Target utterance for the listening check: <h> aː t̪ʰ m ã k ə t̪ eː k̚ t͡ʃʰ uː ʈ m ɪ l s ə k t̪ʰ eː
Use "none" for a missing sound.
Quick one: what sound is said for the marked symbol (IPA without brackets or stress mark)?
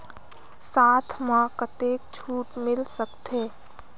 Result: s